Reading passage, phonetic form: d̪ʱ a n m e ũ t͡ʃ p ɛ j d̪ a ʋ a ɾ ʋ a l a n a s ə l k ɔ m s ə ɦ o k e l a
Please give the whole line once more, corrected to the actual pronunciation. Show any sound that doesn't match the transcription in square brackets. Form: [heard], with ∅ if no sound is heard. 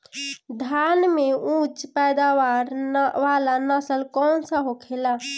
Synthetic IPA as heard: d̪ʱ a n m e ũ t͡ʃ p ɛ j d̪ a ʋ a ɾ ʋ a l a n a s ə l k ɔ [n] s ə ɦ o [kʰ] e l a